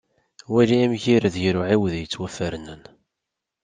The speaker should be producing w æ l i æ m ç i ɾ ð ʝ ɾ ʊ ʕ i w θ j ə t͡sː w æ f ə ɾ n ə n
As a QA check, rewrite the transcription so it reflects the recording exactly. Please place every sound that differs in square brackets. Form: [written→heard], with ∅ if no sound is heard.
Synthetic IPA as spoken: w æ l i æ m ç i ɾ ð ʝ ɾ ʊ ʕ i w [θ→ð] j ə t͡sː w æ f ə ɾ n ə n